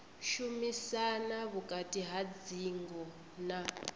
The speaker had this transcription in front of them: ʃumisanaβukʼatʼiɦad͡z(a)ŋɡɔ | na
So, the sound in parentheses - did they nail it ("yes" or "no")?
no